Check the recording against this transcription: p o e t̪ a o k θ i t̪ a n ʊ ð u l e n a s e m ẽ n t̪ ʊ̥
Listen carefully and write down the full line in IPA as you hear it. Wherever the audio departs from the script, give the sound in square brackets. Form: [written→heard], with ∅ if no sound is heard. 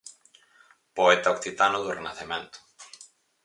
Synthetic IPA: p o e t̪ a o k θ i t̪ a n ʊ ð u [l→r] e n a [s→θ] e m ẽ n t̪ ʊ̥